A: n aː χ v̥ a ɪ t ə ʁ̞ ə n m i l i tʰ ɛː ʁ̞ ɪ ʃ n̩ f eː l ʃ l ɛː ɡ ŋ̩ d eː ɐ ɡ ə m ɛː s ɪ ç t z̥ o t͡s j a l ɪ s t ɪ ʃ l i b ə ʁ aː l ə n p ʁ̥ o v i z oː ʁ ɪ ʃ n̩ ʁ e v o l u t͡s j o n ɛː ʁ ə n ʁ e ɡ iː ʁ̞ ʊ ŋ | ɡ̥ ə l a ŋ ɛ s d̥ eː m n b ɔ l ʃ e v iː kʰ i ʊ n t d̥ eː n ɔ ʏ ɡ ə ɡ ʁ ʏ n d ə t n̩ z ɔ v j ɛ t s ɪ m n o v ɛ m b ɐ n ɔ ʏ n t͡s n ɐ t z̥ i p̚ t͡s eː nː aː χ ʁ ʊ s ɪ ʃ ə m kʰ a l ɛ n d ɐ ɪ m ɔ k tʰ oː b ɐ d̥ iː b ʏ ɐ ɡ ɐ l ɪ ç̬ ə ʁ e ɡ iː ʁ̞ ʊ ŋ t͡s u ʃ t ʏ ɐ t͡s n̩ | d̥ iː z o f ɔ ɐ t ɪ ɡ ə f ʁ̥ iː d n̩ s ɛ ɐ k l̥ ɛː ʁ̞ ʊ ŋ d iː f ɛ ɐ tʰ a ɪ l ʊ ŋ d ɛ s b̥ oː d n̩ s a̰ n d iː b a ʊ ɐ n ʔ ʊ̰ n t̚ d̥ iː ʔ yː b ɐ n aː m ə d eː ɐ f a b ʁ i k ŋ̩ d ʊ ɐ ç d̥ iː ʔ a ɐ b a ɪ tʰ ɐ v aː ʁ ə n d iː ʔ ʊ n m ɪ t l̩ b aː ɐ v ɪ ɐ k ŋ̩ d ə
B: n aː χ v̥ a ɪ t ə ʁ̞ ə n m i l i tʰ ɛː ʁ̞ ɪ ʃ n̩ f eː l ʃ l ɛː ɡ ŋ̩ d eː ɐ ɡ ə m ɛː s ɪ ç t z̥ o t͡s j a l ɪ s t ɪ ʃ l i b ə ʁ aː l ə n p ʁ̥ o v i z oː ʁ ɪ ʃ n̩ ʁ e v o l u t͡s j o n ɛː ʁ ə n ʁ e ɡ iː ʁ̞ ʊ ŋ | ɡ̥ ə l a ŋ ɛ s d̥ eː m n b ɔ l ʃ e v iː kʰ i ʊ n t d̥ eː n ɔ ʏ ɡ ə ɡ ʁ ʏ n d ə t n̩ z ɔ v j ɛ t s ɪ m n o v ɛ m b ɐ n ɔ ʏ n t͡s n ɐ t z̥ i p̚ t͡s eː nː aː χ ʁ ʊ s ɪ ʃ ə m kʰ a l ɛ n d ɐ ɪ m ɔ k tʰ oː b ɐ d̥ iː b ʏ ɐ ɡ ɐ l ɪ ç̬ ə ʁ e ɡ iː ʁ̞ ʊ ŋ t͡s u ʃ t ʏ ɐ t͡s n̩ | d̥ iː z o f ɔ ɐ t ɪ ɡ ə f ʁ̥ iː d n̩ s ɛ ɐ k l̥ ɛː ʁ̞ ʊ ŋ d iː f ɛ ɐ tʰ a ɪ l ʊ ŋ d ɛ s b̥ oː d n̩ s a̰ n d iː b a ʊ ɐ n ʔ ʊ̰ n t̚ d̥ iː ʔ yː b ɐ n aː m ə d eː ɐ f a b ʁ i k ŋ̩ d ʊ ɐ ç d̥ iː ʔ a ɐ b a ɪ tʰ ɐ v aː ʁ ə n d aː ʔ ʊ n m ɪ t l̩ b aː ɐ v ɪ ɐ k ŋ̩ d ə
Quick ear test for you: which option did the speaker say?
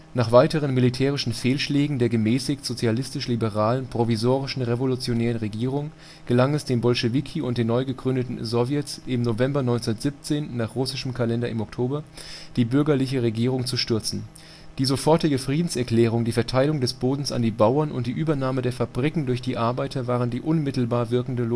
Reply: A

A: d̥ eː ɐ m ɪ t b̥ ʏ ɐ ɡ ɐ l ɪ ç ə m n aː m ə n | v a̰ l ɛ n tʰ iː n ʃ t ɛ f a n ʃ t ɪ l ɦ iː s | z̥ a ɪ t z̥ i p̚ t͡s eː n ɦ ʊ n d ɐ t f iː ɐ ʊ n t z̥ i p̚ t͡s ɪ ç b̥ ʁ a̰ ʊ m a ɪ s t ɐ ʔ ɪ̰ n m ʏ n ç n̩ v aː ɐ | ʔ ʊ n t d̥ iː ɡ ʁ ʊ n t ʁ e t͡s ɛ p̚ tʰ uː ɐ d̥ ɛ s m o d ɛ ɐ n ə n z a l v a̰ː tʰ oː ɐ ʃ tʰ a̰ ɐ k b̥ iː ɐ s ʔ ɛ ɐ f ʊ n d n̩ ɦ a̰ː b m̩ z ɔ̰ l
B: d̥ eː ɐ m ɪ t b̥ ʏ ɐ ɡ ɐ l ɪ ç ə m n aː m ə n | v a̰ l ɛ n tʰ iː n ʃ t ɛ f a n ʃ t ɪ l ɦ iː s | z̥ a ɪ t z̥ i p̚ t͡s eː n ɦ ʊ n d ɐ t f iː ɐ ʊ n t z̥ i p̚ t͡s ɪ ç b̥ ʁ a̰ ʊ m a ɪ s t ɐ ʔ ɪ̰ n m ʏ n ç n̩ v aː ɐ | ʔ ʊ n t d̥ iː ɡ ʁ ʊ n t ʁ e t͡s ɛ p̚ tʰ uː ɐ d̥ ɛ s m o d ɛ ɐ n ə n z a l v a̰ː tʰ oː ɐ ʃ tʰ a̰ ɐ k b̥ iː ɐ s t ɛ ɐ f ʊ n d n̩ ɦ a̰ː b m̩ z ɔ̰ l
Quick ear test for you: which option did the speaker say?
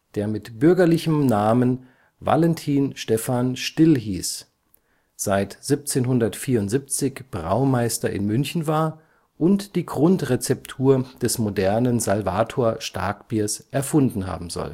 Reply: A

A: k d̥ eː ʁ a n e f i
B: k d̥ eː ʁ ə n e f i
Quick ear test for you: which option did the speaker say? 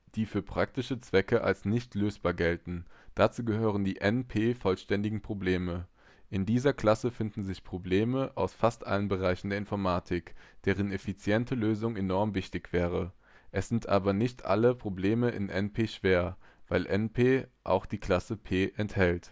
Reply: B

